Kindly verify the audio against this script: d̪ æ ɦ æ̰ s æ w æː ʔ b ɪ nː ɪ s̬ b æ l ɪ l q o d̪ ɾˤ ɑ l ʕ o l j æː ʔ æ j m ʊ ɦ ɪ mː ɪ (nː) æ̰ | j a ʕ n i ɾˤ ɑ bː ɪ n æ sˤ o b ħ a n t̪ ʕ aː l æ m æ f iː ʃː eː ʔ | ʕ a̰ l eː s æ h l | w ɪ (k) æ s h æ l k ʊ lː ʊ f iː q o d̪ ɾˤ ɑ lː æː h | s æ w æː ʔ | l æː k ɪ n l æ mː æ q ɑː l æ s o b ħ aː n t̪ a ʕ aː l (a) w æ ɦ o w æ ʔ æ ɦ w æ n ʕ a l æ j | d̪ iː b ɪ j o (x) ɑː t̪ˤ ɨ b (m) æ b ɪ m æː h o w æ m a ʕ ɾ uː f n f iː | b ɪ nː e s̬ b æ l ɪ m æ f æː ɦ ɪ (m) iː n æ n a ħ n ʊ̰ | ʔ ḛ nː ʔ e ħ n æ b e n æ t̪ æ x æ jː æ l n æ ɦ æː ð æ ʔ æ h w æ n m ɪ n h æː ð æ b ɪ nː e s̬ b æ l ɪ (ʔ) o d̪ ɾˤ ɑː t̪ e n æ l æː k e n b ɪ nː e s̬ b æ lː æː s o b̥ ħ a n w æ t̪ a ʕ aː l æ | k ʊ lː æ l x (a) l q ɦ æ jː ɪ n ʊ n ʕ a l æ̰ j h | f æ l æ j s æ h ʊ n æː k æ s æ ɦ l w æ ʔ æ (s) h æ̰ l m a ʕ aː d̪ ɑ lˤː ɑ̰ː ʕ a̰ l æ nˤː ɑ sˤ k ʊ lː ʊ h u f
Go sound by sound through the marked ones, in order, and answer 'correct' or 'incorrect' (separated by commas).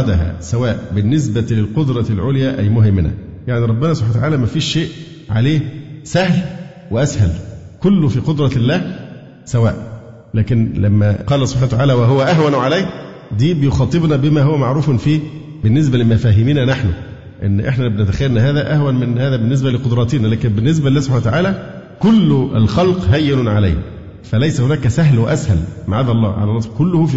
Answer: incorrect, incorrect, incorrect, correct, incorrect, correct, incorrect, incorrect, correct